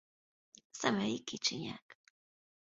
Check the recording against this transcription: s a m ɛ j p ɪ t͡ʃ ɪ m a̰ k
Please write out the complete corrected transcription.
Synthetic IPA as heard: s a m a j k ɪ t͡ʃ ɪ ɲ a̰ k